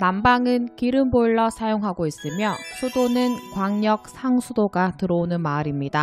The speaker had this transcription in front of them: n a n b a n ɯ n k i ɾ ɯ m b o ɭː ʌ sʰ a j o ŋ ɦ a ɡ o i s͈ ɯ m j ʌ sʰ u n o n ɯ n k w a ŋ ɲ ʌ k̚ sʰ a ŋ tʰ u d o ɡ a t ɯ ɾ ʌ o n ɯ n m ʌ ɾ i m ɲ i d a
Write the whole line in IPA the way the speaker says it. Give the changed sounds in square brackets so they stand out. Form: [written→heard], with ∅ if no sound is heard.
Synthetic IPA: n a [n→m] b a [n→ŋ] ɯ n k i ɾ ɯ m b o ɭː ʌ sʰ a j o ŋ ɦ a ɡ o i s͈ ɯ m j ʌ sʰ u [n→d] o n ɯ n k w a ŋ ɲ ʌ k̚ sʰ a ŋ [tʰ→sʰ] u d o ɡ a t ɯ ɾ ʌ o n ɯ n m [ʌ→a] ɾ i m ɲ i d a

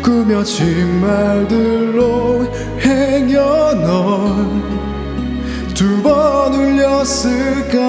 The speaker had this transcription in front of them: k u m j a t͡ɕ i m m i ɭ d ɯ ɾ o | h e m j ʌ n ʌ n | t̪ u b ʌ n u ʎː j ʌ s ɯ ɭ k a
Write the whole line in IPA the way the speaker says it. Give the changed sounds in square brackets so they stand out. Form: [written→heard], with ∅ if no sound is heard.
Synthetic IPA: k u m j [a→ʌ] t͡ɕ i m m [i→a] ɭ d ɯ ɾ o | h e [m→ŋ] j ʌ n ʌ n | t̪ u b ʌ n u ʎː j ʌ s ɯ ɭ k a

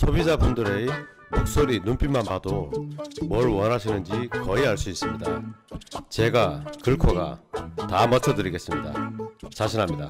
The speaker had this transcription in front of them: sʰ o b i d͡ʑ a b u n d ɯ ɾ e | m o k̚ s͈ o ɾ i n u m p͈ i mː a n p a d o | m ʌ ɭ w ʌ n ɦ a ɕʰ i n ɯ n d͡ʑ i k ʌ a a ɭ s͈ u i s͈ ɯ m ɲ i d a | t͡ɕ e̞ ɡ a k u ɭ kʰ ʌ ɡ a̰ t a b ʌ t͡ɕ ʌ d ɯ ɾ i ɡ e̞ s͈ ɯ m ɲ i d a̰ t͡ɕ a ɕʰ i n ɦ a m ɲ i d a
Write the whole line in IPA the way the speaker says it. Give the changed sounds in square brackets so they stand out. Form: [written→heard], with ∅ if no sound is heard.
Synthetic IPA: sʰ o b i d͡ʑ a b u n d ɯ ɾ e | m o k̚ s͈ o ɾ i n u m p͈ i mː a n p a d o | m ʌ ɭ w ʌ n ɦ a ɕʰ i n ɯ n d͡ʑ i k ʌ [a→i] a ɭ s͈ u i s͈ ɯ m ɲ i d a | t͡ɕ e̞ ɡ a k [u→ɯ] ɭ kʰ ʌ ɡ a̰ t a [b→m] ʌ [t͡ɕ→t͡ɕʰ] ʌ d ɯ ɾ i ɡ e̞ s͈ ɯ m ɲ i d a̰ t͡ɕ a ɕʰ i n ɦ a m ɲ i d a

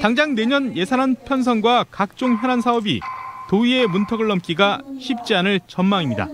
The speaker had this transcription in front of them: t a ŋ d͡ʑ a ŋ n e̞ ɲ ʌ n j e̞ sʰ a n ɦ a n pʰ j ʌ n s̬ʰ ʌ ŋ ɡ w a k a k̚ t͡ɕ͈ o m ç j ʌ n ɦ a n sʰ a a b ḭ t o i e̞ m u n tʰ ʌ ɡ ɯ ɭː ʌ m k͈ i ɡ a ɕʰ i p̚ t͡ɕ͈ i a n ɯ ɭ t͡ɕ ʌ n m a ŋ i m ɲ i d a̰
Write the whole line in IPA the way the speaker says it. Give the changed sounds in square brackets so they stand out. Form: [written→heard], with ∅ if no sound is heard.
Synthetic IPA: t a ŋ d͡ʑ a ŋ n e̞ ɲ ʌ n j e̞ sʰ a n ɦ a n pʰ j ʌ n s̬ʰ ʌ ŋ ɡ w a k a k̚ t͡ɕ͈ o [m→ŋ] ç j ʌ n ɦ a n sʰ a [a→ʌ] b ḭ t o i e̞ m u n tʰ ʌ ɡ ɯ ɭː ʌ m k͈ i ɡ a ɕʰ i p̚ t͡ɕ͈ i a n ɯ ɭ t͡ɕ ʌ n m a ŋ i m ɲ i d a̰

